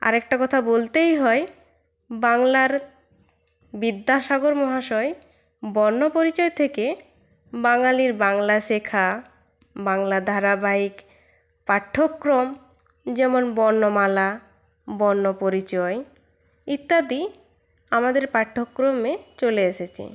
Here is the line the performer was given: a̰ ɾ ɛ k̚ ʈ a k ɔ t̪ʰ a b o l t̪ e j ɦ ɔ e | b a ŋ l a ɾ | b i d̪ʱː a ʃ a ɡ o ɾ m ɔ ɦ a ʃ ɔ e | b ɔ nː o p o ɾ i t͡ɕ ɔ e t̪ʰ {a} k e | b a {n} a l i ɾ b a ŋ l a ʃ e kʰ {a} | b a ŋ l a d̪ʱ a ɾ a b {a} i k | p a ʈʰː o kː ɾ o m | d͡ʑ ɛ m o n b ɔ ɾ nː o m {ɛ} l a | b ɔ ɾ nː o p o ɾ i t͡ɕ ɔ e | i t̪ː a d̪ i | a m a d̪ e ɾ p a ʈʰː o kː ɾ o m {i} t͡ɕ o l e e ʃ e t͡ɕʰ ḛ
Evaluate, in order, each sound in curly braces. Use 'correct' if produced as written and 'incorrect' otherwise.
incorrect, incorrect, correct, correct, incorrect, incorrect

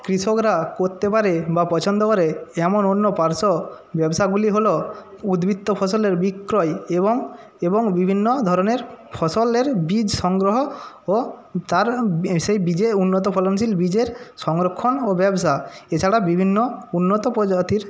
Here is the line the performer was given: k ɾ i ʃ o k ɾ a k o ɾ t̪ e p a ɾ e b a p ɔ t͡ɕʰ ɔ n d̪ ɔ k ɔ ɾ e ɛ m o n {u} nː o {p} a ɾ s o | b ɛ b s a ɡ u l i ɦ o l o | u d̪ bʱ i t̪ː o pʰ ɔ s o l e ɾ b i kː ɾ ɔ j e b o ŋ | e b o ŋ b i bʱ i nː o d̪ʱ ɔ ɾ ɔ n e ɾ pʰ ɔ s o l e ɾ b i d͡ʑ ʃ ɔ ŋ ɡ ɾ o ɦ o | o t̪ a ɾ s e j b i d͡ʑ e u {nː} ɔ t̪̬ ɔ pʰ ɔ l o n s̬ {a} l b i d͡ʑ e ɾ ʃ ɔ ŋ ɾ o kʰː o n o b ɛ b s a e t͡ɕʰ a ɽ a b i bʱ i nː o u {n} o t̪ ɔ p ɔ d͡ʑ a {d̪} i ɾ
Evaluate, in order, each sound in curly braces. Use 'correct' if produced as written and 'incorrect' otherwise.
incorrect, correct, correct, incorrect, incorrect, incorrect

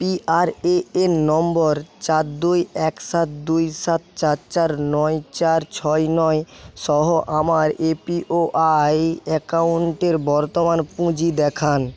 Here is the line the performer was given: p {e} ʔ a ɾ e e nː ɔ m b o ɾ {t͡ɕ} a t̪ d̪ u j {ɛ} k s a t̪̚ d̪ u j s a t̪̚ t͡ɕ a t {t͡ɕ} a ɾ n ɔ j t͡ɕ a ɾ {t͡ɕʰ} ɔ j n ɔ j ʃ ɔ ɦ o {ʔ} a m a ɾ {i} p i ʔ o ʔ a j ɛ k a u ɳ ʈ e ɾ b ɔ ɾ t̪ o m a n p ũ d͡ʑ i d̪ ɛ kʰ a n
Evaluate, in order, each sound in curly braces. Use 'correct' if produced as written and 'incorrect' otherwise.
incorrect, correct, correct, correct, correct, correct, incorrect

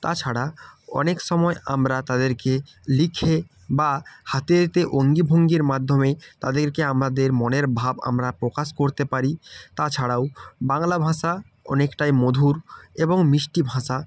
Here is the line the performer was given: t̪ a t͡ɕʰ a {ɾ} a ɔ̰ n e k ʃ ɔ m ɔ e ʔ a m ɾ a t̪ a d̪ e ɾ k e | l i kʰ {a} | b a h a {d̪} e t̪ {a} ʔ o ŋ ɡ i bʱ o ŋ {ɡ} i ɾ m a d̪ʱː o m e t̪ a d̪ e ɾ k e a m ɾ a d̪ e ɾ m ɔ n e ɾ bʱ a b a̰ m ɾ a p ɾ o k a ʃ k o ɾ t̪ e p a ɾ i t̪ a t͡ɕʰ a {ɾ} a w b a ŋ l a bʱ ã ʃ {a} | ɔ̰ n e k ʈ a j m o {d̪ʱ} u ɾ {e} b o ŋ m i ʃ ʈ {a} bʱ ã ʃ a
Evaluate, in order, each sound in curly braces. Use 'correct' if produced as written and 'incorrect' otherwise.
incorrect, incorrect, incorrect, incorrect, correct, incorrect, correct, correct, correct, incorrect

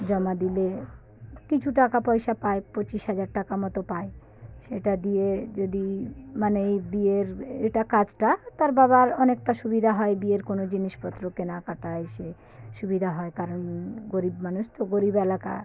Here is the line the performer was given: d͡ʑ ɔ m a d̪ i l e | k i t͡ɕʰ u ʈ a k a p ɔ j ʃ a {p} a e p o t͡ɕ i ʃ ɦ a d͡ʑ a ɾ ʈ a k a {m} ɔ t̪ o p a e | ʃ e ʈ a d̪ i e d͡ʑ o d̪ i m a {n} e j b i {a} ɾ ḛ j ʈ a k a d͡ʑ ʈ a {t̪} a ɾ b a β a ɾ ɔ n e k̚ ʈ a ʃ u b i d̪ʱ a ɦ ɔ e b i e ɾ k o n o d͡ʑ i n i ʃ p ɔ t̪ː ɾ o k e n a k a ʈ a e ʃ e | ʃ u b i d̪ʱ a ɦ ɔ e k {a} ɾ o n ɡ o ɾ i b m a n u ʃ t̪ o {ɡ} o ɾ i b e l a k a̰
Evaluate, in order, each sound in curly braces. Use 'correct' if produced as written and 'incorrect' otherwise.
correct, correct, correct, incorrect, correct, correct, correct

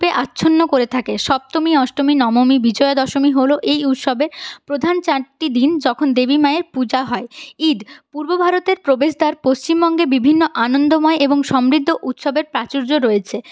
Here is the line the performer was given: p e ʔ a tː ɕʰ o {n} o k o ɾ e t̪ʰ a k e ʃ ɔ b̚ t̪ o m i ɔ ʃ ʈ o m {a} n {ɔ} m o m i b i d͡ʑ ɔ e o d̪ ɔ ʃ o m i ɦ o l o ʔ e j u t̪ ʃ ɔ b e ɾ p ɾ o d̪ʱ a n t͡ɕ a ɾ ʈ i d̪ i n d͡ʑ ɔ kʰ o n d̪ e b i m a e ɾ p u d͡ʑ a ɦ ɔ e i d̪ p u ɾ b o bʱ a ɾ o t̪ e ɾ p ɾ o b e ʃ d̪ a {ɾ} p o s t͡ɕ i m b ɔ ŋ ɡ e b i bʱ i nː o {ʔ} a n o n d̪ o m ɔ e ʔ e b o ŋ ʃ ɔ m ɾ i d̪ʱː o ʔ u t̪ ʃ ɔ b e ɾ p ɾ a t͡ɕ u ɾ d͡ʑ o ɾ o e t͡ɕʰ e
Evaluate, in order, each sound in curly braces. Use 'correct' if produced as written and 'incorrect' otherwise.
incorrect, incorrect, correct, correct, correct

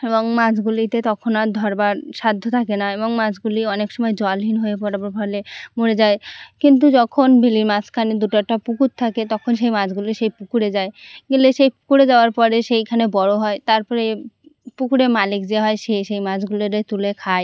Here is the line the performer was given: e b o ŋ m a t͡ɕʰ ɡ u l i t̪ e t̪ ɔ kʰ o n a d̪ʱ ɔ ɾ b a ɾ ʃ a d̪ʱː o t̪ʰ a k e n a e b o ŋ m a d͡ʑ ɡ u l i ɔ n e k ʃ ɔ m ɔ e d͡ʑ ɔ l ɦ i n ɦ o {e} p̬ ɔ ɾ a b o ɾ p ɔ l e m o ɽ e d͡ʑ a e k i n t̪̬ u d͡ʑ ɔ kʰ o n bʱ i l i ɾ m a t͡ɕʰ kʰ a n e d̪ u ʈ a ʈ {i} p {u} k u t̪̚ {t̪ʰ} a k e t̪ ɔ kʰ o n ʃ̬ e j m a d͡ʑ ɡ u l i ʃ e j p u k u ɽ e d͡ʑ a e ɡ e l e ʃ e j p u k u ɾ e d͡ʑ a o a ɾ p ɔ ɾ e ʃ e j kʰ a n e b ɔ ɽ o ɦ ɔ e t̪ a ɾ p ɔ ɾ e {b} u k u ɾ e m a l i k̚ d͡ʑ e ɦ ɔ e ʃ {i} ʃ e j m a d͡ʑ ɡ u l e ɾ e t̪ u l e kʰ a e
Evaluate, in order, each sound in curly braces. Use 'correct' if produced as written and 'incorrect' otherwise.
correct, incorrect, correct, correct, incorrect, incorrect

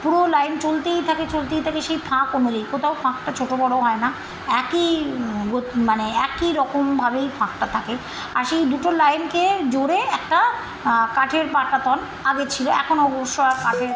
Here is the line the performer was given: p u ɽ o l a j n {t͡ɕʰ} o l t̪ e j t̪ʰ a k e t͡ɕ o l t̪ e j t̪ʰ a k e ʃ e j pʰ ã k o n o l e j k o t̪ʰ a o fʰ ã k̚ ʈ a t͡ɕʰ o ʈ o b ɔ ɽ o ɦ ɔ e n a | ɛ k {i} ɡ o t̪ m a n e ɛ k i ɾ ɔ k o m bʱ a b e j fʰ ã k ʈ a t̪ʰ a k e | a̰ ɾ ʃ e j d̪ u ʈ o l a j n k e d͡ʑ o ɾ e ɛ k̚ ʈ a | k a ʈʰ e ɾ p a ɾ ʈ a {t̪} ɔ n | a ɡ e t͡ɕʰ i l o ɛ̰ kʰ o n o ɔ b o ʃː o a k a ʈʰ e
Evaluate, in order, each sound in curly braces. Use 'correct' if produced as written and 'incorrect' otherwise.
incorrect, correct, correct

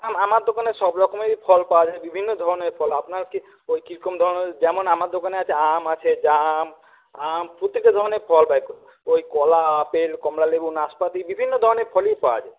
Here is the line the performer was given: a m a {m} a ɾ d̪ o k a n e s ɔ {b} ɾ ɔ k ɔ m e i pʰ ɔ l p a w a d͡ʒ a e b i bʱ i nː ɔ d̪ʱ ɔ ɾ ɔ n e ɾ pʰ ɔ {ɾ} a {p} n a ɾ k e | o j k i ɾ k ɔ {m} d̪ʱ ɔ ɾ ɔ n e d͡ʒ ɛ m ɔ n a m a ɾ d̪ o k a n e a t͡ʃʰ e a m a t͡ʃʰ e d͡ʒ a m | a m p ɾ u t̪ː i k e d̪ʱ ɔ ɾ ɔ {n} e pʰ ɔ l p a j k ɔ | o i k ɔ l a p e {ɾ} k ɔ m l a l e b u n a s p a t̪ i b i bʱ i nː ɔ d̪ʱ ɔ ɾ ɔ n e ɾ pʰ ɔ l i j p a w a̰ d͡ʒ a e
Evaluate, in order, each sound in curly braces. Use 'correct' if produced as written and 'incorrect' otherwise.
correct, correct, incorrect, correct, correct, correct, incorrect

